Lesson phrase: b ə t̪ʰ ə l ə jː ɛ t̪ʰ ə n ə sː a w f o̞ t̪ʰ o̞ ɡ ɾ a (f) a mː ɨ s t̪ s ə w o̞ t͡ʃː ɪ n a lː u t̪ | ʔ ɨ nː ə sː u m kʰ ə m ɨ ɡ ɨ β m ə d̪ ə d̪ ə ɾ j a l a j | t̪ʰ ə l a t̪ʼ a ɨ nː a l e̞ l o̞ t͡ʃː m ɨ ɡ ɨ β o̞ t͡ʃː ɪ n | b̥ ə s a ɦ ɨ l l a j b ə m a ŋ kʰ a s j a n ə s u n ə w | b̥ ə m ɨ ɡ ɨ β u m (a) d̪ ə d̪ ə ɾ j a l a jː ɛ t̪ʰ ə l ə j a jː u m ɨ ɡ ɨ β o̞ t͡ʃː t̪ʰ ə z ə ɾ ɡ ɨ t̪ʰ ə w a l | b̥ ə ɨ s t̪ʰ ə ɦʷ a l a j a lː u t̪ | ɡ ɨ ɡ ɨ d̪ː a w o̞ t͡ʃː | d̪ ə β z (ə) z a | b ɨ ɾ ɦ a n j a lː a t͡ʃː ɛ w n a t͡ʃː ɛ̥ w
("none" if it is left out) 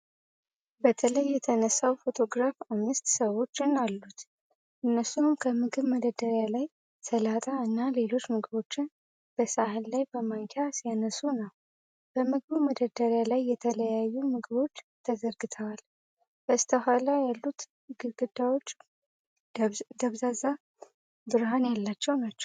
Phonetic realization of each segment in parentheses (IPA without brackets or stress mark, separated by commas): f, ə, a